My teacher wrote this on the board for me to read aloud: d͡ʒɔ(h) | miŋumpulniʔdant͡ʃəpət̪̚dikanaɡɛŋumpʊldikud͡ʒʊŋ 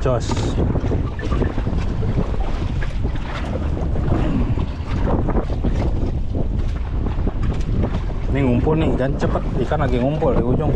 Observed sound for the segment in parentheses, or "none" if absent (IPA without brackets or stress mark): s